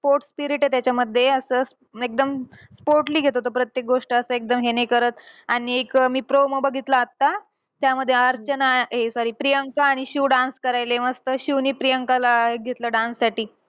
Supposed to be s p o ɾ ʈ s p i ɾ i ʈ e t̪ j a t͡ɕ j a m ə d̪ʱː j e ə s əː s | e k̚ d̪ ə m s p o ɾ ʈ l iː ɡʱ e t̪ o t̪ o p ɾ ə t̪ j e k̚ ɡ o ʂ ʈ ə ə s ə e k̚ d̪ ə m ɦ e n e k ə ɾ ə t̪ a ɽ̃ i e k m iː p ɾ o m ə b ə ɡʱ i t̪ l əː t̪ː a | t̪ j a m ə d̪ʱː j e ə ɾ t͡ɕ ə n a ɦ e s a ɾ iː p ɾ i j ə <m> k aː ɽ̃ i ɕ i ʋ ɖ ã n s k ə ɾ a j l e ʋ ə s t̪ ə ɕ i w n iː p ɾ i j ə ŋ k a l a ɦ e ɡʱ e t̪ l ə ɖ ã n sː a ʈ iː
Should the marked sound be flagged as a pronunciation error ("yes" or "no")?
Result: yes